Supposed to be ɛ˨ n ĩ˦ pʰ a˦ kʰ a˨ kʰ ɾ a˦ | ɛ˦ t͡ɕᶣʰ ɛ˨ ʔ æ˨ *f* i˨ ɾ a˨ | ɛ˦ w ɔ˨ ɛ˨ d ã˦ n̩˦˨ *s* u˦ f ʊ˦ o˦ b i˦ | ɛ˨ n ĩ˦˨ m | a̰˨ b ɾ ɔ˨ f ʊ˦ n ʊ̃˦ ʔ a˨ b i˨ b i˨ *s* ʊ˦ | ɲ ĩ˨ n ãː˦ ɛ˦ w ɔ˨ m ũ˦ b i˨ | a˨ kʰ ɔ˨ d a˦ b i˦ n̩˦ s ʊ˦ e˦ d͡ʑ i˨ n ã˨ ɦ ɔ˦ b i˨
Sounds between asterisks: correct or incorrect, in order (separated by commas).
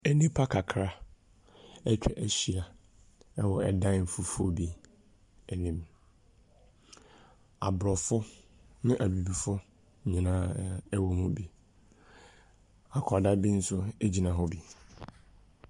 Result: incorrect, incorrect, incorrect